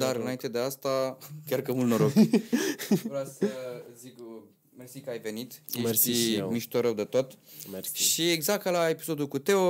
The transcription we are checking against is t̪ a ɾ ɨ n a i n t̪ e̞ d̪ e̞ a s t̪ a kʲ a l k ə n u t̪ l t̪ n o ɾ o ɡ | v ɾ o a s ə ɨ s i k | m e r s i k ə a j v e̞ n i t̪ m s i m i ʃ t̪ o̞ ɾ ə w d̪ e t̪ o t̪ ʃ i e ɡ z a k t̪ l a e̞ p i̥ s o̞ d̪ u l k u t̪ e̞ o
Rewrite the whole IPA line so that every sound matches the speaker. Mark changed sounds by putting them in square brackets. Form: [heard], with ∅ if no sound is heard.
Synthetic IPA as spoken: [d̪] a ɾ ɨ n a i n t̪ e̞ d̪ e̞ a s t̪ a kʲ a [r] k ə [m] u [∅] l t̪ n o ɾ o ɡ | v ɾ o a s ə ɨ [z] i k | m e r s i k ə a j v e̞ n i t̪ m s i m i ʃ t̪ o̞ ɾ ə w d̪ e t̪ o t̪ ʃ i e ɡ z a k t̪ l a e̞ p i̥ s o̞ d̪ u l k u t̪ e̞ o